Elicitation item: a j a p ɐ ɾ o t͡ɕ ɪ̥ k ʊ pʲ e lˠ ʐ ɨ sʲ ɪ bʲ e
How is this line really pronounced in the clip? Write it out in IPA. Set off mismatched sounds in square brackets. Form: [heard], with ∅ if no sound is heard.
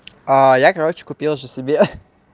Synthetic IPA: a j a [k] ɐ ɾ o t͡ɕ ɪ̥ k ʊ pʲ [i] lˠ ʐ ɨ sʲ ɪ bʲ e